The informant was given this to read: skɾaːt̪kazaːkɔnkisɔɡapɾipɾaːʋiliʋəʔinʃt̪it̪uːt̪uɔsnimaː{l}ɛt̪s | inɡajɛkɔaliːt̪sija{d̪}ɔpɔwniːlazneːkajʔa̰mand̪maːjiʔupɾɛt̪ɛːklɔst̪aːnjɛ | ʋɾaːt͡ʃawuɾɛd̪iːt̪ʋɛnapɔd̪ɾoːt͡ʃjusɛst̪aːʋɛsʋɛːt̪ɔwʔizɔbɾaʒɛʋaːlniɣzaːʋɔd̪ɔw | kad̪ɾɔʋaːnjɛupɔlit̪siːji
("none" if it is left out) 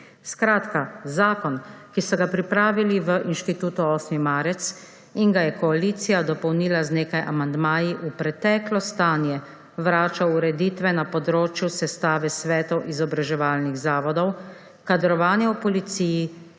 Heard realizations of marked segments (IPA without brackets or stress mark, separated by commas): ɾ, d̪